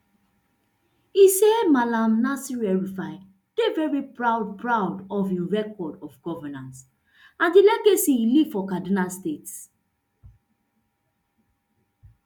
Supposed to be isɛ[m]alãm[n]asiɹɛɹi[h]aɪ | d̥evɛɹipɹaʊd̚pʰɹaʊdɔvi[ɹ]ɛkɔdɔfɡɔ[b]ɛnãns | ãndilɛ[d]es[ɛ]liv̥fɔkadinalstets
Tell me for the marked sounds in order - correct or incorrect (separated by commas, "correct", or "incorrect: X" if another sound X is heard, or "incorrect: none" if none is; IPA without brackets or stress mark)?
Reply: correct, correct, incorrect: f, correct, incorrect: v, incorrect: ɡ, incorrect: i